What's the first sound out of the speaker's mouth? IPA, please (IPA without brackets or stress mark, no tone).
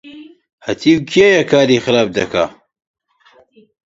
h